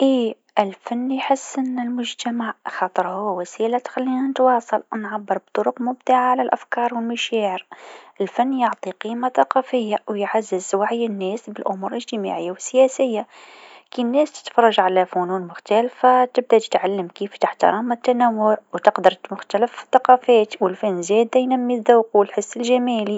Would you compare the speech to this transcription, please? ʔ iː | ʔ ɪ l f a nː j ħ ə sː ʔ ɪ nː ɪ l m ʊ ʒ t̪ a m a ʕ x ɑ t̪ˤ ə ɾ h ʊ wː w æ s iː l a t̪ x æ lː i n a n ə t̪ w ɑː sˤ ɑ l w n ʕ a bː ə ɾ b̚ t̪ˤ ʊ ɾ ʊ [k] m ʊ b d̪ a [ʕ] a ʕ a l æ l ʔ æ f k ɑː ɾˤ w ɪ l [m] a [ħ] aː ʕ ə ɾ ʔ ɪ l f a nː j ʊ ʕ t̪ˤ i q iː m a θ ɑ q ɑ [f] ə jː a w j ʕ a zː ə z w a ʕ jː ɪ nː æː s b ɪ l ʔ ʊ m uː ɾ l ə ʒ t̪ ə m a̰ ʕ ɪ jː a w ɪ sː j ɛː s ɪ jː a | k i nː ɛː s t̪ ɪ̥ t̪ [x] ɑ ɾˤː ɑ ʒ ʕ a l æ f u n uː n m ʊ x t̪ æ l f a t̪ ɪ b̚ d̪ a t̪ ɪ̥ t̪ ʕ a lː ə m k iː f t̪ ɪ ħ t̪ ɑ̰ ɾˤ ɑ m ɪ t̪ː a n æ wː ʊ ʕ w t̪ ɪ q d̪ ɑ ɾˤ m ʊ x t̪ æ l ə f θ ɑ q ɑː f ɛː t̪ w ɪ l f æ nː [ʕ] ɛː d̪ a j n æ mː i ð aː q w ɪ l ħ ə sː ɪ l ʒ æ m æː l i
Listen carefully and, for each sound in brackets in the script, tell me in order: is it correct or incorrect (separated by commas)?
incorrect, correct, correct, incorrect, correct, incorrect, incorrect